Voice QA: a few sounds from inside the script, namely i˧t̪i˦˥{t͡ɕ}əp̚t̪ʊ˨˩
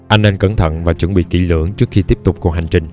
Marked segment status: incorrect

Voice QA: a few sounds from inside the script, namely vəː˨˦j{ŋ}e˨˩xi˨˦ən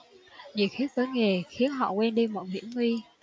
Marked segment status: correct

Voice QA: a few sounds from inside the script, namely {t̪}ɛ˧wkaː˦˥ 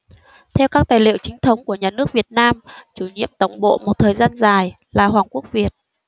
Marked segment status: incorrect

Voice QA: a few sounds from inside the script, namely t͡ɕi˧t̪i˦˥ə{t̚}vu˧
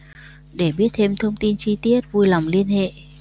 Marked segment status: correct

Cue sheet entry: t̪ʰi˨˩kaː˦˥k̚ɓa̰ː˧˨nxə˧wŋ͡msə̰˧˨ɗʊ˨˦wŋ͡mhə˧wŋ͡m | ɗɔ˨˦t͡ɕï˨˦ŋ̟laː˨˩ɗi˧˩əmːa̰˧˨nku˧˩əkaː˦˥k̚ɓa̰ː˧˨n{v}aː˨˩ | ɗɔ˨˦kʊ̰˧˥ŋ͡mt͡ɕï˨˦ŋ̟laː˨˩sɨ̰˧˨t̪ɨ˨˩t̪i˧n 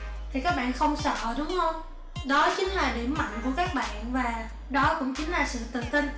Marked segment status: correct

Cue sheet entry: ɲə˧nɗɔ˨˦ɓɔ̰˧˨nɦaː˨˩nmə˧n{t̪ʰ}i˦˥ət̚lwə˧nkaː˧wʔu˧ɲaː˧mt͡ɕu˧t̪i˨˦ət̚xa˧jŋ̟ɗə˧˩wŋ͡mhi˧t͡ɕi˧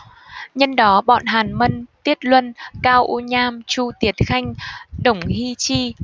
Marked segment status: incorrect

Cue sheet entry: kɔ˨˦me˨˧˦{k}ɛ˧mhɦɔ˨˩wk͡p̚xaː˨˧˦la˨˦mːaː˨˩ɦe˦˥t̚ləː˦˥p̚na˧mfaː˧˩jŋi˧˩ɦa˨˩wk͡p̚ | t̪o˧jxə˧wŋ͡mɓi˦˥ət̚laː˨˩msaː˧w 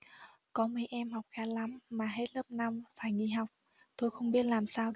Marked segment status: incorrect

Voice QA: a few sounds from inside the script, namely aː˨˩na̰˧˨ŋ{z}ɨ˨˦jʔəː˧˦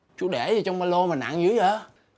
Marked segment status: correct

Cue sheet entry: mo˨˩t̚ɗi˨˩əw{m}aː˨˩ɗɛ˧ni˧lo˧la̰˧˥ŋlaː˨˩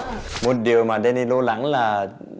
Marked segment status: correct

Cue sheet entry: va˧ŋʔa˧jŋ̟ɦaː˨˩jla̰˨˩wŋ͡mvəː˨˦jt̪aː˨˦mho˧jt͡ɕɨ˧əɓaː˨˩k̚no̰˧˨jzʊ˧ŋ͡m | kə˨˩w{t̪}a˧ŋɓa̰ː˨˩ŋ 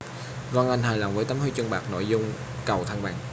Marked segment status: incorrect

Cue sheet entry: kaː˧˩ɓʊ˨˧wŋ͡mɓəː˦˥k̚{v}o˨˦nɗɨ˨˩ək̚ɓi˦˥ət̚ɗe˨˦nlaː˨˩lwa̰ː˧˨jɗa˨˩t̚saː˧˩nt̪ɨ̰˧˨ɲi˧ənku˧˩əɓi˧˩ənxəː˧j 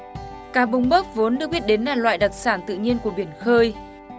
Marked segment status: correct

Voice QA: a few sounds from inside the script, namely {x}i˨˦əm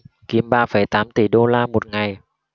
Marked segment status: incorrect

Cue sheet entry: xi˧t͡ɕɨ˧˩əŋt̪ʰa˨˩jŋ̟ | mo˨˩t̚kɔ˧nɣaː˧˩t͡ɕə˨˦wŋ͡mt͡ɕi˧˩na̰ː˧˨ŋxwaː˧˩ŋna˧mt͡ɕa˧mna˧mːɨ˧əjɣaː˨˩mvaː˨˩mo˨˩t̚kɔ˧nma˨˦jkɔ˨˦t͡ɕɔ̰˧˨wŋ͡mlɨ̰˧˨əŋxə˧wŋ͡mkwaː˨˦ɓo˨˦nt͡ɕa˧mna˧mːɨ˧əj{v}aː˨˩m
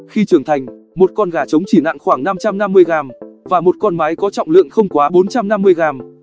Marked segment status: incorrect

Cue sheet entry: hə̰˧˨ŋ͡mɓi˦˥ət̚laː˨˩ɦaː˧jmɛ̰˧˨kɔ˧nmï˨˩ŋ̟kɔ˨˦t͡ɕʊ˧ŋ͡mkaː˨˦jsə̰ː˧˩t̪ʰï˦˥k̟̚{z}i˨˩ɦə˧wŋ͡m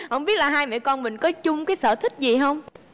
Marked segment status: correct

